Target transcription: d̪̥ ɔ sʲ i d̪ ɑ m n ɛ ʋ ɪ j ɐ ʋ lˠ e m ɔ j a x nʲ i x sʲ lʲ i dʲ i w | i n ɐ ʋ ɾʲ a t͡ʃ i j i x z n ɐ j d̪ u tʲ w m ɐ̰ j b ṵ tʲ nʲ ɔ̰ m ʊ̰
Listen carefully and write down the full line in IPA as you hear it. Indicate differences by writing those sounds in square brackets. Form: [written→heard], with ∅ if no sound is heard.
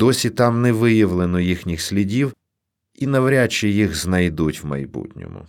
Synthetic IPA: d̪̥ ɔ sʲ i [d̪→t̪] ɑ m n ɛ ʋ ɪ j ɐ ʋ lˠ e [m→n] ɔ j [a→i] x nʲ i x sʲ lʲ i dʲ i w | i n ɐ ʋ ɾʲ a t͡ʃ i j i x z n ɐ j d̪ u tʲ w m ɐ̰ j b ṵ tʲ nʲ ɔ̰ m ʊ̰